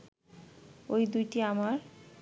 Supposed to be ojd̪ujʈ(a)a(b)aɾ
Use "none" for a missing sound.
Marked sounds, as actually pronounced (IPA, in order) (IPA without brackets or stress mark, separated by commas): i, m